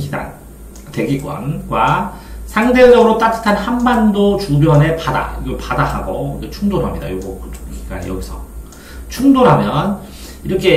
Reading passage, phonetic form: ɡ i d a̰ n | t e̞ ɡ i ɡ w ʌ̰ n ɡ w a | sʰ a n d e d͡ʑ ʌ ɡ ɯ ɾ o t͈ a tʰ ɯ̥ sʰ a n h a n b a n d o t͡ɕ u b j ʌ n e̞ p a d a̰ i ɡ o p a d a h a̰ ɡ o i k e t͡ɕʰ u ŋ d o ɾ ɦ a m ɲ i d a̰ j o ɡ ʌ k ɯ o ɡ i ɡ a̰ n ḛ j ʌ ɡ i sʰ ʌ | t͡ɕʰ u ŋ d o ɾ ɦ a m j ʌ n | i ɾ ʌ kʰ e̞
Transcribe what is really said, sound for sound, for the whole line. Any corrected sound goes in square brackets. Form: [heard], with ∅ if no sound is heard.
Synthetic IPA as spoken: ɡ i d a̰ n | t e̞ ɡ i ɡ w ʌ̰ n ɡ w a | sʰ a [ŋ] d e d͡ʑ ʌ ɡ ɯ ɾ o t͈ a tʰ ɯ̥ [tʰ] a n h a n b a n d o t͡ɕ u b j ʌ n e̞ p a d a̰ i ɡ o p a d a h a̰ ɡ o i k e t͡ɕʰ u ŋ d o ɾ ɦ a m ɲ i d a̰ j o ɡ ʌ k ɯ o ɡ i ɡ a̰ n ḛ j ʌ ɡ i sʰ ʌ | t͡ɕʰ u ŋ d o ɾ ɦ a m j ʌ n | i ɾ ʌ kʰ e̞